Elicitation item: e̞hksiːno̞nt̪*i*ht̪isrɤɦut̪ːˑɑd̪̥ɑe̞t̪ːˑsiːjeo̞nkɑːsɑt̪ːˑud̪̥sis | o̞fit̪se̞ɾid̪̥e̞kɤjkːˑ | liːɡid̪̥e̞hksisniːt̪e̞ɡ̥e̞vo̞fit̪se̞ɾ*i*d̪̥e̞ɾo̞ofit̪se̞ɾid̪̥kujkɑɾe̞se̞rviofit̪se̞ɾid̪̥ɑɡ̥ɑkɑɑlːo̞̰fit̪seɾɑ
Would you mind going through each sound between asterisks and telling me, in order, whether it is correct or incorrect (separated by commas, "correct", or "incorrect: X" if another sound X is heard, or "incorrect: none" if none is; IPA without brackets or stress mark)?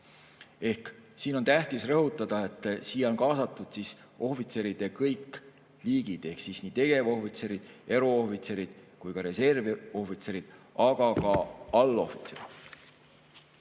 incorrect: æ, correct